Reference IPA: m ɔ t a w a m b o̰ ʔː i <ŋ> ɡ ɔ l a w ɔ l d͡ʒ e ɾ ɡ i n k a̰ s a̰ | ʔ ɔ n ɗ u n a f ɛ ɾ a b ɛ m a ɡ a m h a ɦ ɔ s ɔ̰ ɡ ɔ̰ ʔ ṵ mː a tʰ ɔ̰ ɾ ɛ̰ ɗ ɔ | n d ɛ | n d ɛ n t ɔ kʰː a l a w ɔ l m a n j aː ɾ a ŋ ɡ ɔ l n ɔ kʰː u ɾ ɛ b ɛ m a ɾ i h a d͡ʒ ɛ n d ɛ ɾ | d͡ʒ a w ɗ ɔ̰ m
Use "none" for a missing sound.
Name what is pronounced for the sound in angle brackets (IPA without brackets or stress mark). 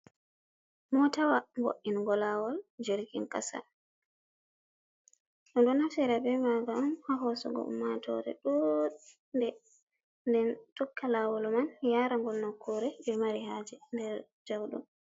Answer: n